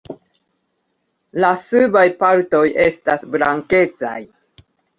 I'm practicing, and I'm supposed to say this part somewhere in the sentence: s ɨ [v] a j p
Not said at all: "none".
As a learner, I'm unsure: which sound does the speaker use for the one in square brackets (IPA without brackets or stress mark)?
b